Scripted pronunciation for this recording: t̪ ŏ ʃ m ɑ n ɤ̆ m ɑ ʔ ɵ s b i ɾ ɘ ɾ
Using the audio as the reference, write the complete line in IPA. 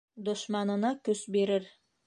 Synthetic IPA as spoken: d̪ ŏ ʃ m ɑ n ɤ̆ n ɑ k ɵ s b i ɾ ɘ ɾ